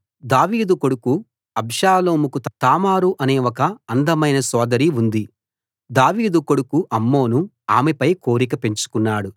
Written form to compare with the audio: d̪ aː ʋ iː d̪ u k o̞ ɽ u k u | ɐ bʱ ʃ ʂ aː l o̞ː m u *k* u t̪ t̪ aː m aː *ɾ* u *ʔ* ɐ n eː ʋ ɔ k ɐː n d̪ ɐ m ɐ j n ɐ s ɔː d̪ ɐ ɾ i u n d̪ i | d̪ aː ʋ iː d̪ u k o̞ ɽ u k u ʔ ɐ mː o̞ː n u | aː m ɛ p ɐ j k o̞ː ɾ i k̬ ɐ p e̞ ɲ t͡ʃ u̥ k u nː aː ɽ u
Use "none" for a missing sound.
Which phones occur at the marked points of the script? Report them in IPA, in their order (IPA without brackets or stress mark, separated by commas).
k, ɾ, ʔ